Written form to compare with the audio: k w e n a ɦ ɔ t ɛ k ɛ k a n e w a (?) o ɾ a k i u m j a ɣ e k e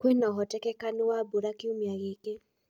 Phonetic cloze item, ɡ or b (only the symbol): b